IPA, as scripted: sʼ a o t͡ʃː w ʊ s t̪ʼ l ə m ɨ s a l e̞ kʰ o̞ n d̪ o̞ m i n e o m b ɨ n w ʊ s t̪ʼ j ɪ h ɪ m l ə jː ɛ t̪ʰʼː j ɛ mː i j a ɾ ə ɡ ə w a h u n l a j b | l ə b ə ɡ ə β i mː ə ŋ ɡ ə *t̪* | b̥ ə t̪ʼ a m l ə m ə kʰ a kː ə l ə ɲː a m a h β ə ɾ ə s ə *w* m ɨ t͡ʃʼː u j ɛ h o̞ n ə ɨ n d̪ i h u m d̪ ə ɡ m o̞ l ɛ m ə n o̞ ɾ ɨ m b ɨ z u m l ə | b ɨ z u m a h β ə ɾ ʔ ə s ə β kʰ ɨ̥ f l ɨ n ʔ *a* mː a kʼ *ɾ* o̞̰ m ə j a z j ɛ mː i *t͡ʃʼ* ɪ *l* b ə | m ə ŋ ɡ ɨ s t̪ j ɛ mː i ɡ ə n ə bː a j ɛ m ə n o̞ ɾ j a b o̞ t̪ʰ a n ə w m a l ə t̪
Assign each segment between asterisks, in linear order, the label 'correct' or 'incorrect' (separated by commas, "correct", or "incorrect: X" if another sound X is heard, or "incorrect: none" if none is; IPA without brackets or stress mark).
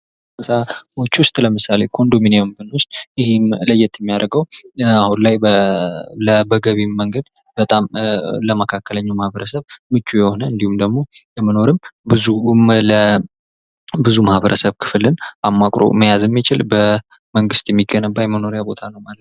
incorrect: d̪, incorrect: β, correct, correct, incorrect: t͡ʃ, correct